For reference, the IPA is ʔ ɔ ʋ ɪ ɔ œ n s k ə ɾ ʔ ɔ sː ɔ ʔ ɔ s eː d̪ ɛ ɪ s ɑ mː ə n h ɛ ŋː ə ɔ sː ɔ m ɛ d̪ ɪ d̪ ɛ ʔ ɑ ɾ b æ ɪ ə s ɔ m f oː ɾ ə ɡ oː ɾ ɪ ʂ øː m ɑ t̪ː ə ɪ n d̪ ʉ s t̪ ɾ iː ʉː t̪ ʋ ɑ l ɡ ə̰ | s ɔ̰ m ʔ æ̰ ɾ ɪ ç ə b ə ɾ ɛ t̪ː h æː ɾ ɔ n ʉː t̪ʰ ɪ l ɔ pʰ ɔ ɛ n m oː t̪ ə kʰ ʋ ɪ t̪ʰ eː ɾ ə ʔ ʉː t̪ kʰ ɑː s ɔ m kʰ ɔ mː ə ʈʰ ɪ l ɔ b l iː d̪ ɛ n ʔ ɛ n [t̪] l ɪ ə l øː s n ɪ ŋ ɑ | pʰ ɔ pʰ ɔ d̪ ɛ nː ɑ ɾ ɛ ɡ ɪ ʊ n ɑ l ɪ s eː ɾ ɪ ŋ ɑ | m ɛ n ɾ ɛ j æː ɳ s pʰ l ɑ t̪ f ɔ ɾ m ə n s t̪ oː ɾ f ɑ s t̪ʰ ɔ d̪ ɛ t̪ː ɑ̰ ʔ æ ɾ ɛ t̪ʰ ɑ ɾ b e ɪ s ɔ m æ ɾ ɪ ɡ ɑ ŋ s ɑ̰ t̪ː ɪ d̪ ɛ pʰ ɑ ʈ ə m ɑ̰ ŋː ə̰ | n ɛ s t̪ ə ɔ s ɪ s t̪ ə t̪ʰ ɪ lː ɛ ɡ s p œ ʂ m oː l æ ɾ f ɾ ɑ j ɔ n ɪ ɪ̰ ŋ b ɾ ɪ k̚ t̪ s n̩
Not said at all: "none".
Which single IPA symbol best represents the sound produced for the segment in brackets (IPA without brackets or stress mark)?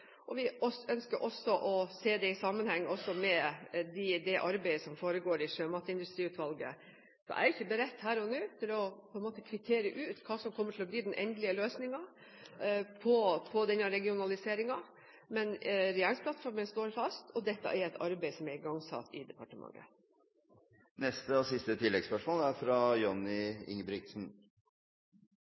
d̪